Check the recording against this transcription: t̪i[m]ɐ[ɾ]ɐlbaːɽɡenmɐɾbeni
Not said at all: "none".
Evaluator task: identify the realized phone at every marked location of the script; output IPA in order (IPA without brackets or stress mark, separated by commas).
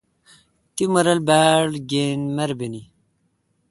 m, ɾ